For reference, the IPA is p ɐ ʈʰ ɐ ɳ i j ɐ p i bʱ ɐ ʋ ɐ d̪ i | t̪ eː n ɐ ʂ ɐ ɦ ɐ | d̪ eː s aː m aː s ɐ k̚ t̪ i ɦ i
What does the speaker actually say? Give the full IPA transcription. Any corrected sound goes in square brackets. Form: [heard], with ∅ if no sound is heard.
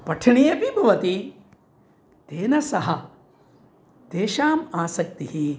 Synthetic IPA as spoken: p ɐ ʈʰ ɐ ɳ i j ɐ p i bʱ ɐ ʋ ɐ [t̪] i | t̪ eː n ɐ [s] ɐ ɦ ɐ | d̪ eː [ʃ] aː m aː s ɐ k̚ t̪ i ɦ i